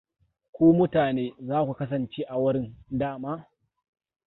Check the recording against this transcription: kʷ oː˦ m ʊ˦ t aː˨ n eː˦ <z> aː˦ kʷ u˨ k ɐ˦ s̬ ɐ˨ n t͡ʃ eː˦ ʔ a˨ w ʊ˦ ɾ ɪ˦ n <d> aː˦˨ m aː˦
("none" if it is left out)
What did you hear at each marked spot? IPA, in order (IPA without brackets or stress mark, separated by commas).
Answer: z, d